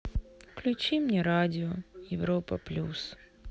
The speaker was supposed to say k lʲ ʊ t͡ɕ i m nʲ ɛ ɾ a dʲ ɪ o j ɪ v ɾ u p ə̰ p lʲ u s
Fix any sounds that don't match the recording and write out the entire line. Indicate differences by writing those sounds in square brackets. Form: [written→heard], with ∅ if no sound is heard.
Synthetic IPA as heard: k lʲ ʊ t͡ɕ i m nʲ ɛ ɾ a dʲ ɪ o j ɪ v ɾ [u→o] p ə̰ p lʲ u s